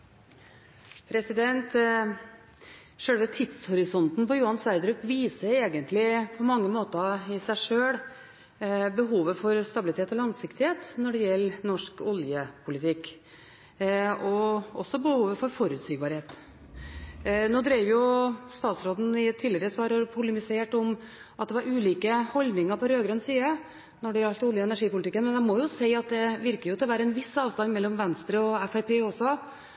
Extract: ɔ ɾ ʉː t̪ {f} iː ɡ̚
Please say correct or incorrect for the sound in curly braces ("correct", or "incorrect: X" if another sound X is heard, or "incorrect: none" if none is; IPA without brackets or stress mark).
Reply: incorrect: s